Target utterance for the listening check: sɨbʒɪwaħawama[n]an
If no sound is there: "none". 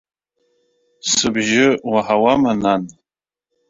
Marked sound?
n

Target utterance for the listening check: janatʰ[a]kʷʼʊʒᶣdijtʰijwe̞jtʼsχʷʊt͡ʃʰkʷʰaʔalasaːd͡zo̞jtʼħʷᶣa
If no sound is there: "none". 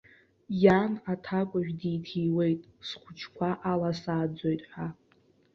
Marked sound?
a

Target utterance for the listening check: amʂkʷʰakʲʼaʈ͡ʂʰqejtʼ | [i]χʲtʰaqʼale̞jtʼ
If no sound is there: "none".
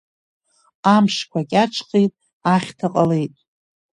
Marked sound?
a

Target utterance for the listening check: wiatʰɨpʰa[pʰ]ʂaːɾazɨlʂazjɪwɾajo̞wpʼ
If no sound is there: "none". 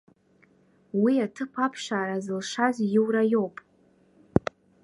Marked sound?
pʰ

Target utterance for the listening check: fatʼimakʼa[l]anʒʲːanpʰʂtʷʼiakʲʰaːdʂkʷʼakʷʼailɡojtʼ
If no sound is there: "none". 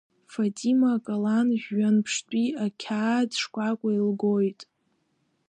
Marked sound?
l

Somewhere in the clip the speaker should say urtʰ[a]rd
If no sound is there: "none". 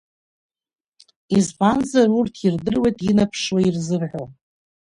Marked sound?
i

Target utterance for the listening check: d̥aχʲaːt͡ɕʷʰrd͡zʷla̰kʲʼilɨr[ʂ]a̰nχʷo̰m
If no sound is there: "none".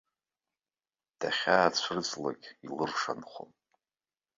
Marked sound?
ʂ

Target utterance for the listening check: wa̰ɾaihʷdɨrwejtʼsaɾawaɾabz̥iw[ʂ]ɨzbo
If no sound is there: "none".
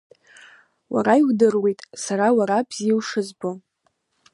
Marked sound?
ʂ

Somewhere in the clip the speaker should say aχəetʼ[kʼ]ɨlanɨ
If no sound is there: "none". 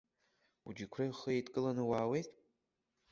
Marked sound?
kʼ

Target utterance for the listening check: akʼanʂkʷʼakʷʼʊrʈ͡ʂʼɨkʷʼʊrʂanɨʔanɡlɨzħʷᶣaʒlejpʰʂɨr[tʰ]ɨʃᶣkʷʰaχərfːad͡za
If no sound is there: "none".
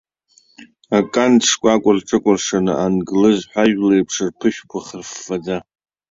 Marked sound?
pʰ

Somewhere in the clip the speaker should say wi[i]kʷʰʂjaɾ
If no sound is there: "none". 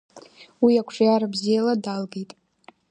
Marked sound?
a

